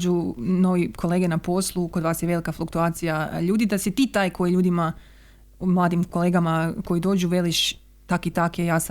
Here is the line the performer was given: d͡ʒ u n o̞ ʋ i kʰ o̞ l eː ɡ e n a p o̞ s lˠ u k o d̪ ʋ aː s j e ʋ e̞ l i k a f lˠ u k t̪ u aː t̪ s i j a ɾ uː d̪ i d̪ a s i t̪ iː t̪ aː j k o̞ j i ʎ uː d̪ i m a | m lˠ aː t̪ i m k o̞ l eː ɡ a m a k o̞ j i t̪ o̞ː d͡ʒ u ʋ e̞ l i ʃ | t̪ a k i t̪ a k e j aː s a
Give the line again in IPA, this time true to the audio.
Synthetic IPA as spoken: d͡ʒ u n o̞ ʋ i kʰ o̞ l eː ɡ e n a p o̞ s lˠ u k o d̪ ʋ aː s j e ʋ e̞ l i k a f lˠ u k t̪ u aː t̪ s i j a ʎ uː d̪ i d̪ a s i t̪ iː t̪ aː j k o̞ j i ʎ uː d̪ i m a | m lˠ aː d̪ i m k o̞ l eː ɡ a m a k o̞ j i d̪ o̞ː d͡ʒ u ʋ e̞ l i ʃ | t̪ a k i t̪ a k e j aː s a